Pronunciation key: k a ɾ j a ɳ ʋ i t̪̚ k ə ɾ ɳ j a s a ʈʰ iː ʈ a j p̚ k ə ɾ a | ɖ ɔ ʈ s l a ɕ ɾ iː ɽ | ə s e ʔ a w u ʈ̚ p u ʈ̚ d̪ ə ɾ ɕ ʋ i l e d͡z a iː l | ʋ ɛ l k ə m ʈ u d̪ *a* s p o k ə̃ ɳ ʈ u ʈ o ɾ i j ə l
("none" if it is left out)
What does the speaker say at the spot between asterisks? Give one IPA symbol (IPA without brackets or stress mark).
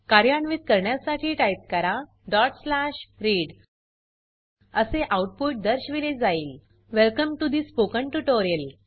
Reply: i